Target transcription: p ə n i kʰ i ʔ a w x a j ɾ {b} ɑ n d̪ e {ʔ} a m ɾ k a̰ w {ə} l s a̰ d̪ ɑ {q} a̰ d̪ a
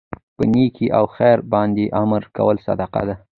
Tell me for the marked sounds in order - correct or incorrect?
correct, correct, correct, correct

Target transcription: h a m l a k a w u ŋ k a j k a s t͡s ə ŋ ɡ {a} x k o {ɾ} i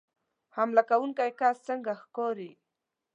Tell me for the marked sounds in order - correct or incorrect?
correct, correct

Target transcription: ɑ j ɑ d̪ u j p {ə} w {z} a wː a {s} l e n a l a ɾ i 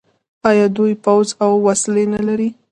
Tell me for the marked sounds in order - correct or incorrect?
incorrect: a, correct, correct

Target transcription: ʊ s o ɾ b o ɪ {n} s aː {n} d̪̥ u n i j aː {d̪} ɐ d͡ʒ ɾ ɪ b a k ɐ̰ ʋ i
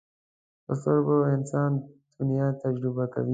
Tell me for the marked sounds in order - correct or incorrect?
correct, correct, incorrect: t̪

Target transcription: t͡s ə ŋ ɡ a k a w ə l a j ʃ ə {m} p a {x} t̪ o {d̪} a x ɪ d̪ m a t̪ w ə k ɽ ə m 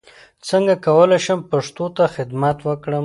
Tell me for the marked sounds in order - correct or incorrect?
correct, incorrect: ʂ, incorrect: t̪

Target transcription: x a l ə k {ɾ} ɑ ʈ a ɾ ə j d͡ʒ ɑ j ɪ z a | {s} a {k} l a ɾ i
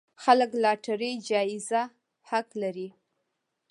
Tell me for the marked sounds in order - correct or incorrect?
incorrect: l, incorrect: h, correct

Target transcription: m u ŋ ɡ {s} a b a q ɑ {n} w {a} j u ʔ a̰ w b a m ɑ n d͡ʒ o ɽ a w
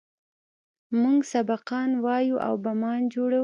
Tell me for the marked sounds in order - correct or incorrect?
correct, correct, incorrect: ɑ

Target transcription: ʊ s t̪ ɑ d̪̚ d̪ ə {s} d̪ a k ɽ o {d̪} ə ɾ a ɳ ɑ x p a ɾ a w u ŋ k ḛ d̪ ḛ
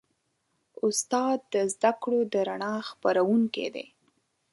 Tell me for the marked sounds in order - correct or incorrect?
incorrect: z, correct

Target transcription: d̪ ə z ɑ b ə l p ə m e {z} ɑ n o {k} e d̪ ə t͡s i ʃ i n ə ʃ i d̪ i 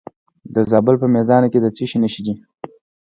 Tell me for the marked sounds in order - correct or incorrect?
correct, correct

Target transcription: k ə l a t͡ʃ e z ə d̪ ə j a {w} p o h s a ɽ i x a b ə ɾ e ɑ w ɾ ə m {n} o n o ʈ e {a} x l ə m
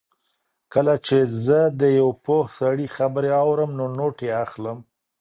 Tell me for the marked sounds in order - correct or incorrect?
correct, correct, correct

